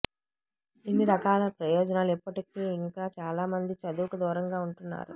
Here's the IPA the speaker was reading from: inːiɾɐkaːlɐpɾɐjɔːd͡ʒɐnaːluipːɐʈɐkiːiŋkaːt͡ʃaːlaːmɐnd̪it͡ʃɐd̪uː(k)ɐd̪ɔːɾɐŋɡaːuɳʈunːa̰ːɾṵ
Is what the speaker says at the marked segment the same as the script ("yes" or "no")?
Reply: yes